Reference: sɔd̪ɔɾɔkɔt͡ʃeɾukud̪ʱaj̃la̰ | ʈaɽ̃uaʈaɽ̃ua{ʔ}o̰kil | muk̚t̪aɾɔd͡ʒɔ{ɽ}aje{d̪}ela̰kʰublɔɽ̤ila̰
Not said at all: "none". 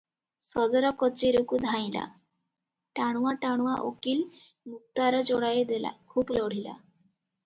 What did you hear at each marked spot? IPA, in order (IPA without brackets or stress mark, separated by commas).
ʔ, ɽ, d̪